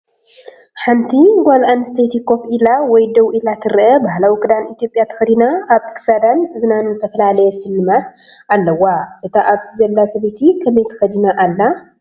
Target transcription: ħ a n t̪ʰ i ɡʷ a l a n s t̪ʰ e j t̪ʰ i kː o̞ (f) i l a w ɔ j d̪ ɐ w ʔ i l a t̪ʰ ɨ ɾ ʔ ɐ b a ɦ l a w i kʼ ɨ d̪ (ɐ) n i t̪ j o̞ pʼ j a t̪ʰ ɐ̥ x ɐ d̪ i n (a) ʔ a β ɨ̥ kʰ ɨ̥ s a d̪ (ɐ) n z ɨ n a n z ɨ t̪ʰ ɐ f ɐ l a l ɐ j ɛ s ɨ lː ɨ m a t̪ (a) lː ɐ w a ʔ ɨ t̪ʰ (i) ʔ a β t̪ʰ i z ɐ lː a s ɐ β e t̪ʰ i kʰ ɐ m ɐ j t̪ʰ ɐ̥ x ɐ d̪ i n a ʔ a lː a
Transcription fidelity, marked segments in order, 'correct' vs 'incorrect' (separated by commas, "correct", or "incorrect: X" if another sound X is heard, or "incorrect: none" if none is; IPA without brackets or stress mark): correct, incorrect: a, correct, incorrect: a, correct, incorrect: a